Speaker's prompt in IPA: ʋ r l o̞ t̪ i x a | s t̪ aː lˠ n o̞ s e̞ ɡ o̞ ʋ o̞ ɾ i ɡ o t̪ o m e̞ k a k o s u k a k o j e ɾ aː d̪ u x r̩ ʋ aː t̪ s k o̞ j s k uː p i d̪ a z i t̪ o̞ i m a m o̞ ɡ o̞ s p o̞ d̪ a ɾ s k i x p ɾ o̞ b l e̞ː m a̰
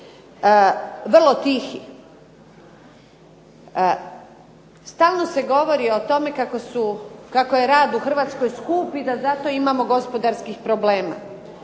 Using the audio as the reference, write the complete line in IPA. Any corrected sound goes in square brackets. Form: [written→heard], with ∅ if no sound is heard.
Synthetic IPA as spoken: ʋ r l o̞ t̪ i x [a→i] | s t̪ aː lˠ n o̞ s e̞ ɡ o̞ ʋ o̞ ɾ i [ɡ→∅] o t̪ o m e̞ k a k o s u k a k o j e ɾ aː d̪ u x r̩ ʋ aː t̪ s k o̞ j s k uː p i d̪ a z [i→a] t̪ o̞ i m a m o̞ ɡ o̞ s p o̞ d̪ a ɾ s k i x p ɾ o̞ b l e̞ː m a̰